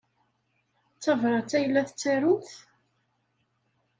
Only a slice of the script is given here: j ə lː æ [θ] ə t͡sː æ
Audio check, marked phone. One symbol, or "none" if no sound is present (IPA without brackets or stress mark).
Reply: θ